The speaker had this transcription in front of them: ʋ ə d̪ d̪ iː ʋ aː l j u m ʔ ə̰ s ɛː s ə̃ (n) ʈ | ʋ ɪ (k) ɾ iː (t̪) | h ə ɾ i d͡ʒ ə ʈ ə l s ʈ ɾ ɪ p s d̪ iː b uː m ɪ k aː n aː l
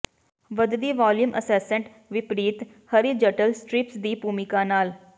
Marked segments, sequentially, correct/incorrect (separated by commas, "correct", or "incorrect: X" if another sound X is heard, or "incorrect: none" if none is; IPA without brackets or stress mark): incorrect: ɳ, incorrect: p, correct